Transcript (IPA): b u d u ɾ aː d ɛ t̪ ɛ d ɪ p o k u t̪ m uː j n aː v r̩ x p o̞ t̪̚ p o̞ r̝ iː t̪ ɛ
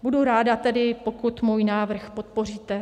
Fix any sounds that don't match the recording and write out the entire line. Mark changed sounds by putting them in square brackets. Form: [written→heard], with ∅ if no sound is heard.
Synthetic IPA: b u d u ɾ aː d [ɛ→a] t̪ ɛ d ɪ p o k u t̪ m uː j n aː v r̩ x p o̞ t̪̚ p o̞ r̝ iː t̪ ɛ